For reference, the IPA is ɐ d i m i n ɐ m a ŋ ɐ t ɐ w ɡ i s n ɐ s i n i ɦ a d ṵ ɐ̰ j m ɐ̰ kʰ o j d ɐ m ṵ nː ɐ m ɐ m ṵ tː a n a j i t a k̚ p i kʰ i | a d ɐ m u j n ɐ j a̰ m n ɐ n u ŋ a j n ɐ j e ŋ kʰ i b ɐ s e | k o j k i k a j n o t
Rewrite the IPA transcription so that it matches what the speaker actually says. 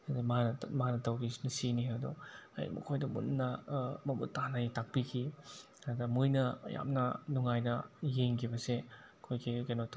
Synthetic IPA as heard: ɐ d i m a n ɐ m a n ɐ t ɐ w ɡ i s n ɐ s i n i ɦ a d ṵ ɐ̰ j m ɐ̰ kʰ o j d ɐ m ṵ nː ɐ m ɐ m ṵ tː a n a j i t a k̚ p i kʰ i | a d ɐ m u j n ɐ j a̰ m n ɐ n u ŋ a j n ɐ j e ŋ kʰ i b ɐ s e | kʰ o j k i k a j n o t